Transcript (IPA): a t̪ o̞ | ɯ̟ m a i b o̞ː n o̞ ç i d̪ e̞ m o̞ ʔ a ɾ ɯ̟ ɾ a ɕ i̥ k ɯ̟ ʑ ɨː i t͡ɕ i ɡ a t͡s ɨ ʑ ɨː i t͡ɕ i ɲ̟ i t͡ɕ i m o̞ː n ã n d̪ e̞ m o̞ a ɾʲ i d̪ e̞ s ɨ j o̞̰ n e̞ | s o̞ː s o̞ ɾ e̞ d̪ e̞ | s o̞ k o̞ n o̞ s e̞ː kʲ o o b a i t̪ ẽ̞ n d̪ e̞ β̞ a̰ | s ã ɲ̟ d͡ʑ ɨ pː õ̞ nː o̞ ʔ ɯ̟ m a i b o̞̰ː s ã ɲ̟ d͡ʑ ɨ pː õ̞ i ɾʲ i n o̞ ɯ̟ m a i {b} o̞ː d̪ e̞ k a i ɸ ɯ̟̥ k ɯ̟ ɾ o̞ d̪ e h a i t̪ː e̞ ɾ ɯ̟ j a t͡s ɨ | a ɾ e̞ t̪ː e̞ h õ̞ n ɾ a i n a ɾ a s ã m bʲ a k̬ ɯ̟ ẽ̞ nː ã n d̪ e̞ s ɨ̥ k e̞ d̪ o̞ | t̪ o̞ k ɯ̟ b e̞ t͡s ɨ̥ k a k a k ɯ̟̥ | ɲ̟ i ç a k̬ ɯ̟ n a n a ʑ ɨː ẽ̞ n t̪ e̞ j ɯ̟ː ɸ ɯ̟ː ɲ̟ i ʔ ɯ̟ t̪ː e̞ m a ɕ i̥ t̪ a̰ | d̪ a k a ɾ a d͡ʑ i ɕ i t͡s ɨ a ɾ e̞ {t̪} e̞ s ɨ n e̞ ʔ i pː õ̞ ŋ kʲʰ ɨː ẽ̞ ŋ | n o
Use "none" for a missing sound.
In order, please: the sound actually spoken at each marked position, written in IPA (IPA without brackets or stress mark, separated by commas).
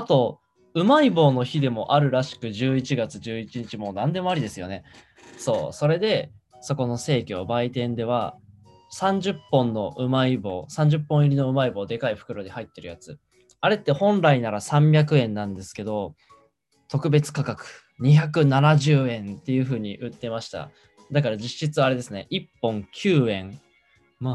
b, d̪